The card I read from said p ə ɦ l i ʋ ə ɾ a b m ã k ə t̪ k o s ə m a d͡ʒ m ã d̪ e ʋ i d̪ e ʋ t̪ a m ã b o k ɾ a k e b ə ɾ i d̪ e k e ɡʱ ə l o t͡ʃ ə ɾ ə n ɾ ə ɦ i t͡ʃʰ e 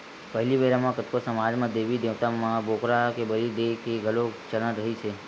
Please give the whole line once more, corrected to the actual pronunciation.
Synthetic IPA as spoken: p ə ɦ l i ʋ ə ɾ a m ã k ə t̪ k o s ə m a d͡ʒ m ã d̪ e ʋ i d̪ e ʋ t̪ a m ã b o k ɾ a k e b ə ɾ i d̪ e k e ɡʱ ə l o t͡ʃ ə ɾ ə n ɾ ə ɦ i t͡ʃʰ e